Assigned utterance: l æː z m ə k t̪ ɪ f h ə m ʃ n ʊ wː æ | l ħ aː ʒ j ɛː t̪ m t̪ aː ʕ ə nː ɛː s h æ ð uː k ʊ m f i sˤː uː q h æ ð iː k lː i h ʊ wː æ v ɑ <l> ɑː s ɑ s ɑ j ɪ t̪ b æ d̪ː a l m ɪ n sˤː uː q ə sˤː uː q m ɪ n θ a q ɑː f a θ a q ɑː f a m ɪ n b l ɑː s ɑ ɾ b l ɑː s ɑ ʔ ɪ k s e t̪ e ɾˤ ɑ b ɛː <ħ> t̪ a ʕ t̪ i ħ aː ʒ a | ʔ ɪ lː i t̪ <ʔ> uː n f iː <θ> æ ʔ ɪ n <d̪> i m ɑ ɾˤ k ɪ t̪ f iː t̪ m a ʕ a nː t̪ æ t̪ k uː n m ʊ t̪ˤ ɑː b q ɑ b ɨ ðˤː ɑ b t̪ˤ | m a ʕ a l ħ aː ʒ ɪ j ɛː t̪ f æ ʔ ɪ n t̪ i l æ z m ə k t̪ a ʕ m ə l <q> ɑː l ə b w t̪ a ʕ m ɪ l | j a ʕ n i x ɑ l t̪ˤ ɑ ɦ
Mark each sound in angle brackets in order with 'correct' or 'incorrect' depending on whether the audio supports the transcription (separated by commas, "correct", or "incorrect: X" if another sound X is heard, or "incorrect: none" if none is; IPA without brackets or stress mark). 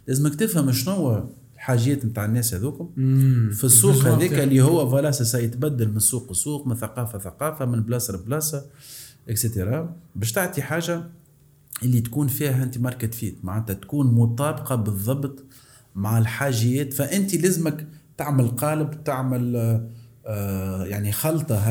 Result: correct, incorrect: ʃ, incorrect: k, incorrect: h, incorrect: t̪, correct